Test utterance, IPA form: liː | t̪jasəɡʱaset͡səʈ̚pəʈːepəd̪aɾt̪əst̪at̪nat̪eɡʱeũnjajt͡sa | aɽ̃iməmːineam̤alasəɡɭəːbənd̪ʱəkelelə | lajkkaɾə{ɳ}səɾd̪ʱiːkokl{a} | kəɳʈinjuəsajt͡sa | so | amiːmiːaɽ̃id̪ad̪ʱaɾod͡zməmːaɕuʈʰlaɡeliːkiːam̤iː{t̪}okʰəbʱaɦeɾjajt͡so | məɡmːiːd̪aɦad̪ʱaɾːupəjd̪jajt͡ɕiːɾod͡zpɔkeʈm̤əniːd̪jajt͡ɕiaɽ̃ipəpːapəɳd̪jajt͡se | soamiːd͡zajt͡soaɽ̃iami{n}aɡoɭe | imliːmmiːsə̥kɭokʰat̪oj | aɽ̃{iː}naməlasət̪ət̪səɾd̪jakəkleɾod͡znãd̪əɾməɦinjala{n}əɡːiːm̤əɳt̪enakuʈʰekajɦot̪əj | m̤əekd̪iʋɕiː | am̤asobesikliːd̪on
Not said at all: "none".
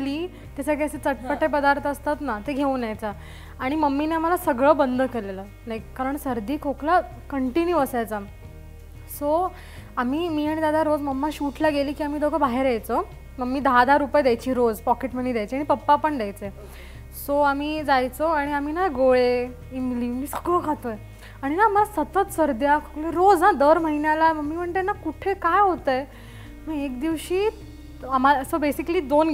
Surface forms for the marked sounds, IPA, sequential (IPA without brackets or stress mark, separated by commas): ɳ, a, d̪, n, i, m